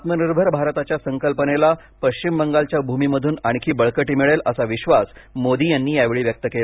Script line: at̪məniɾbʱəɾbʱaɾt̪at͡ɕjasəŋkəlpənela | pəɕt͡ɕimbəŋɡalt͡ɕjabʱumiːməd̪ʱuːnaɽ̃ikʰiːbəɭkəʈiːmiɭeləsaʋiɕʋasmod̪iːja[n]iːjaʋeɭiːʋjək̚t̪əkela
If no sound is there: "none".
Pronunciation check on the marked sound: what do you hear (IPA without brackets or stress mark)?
nː